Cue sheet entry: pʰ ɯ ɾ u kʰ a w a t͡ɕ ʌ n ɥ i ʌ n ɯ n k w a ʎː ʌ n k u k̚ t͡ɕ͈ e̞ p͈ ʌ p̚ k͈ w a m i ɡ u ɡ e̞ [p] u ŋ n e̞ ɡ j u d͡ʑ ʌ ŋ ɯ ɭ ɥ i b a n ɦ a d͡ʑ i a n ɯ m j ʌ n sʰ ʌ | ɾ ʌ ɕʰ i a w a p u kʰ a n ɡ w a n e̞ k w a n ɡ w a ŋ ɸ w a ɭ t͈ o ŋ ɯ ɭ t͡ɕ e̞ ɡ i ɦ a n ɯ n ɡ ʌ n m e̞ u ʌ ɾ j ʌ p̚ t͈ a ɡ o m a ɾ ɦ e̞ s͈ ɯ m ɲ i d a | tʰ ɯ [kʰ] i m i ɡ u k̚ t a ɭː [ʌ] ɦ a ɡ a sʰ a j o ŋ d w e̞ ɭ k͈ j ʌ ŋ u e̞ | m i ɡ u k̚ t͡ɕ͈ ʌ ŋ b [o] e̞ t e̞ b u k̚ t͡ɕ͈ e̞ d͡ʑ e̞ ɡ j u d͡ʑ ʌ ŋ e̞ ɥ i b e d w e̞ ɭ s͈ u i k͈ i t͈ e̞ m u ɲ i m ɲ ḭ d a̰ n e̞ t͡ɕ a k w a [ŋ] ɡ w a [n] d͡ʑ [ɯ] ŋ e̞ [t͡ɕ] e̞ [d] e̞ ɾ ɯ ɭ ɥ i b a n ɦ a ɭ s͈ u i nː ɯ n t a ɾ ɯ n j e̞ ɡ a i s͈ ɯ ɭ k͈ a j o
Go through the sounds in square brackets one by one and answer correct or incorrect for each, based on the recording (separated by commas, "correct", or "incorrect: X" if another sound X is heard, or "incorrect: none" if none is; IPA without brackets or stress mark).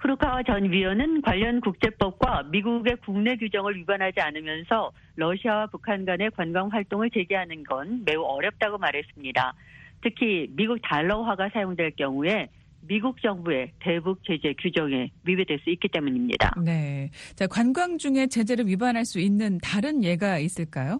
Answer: incorrect: k, correct, correct, incorrect: u, incorrect: n, incorrect: ŋ, incorrect: u, correct, incorrect: d͡ʑ